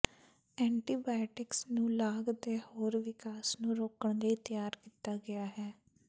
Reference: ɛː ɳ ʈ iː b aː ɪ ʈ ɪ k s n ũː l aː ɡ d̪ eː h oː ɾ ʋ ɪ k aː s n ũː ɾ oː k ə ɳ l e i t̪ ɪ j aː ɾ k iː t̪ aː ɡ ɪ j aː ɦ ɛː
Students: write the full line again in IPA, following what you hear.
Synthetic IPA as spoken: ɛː ɳ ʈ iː b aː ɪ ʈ ɪ k s n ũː l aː ɡ d̪ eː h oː ɾ ʋ ɪ k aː s n ũː ɾ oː k ə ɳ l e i t̪ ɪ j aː ɾ k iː t̪ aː ɡ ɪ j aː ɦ ɛː